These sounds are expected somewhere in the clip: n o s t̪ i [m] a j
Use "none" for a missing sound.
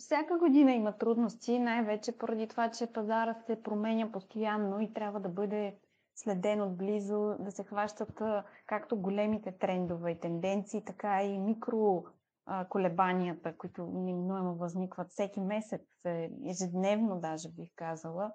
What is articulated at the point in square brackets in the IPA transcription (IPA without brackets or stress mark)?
n